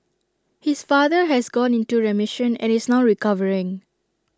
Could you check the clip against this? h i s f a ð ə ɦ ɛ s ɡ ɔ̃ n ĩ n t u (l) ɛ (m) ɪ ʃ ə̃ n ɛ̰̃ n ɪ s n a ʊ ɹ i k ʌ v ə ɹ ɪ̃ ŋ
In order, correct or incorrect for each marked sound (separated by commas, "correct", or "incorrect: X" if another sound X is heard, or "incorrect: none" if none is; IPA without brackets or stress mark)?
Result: incorrect: ɹ, correct